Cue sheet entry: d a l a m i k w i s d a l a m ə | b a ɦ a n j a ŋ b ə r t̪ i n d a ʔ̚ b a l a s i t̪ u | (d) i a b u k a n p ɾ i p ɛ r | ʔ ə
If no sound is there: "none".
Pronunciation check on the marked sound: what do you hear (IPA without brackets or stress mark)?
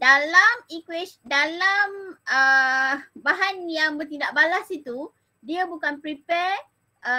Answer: d